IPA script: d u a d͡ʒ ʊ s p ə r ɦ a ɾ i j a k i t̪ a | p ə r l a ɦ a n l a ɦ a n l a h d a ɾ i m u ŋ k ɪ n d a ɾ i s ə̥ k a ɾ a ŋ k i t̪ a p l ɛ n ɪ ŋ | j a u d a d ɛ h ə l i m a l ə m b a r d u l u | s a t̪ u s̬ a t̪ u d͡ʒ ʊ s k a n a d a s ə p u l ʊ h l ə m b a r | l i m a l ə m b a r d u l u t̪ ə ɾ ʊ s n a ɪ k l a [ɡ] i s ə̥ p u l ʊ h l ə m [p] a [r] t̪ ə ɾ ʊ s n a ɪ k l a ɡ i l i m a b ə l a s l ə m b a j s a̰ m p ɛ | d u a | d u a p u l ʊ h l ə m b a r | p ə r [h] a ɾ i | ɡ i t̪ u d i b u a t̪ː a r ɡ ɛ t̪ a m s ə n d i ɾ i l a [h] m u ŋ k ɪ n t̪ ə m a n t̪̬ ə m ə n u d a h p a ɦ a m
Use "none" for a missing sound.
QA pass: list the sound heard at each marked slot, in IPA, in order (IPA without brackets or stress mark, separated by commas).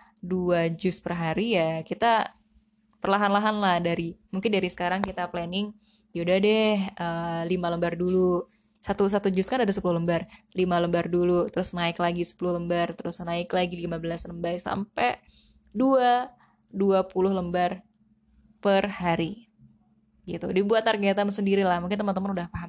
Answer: ɡ, b, r, h, h